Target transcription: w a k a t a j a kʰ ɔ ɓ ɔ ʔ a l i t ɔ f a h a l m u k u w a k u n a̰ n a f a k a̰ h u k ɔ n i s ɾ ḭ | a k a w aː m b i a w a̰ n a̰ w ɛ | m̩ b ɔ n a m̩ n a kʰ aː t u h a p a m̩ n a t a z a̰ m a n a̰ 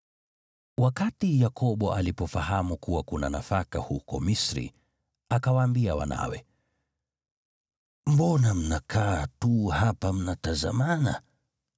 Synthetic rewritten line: w a k a t i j a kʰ ɔ ɓ ɔ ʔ a l i p ɔ f a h a m u k u w a k u n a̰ n a f a k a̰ h u k ɔ m i s ɾ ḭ | a k a w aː m b i a w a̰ n a̰ w ɛ | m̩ b ɔ n a m̩ n a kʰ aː t u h a p a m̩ n a t a z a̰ m a n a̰